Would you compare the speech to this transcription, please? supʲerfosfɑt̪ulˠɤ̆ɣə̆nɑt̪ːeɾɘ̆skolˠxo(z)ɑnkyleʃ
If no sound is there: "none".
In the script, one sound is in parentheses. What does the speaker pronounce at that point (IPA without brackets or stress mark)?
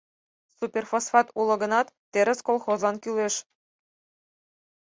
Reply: z